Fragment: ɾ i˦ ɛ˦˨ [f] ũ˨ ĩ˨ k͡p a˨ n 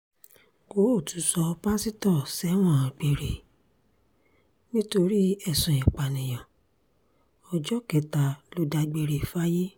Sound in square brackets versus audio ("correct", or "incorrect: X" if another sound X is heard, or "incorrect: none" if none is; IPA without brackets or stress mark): incorrect: s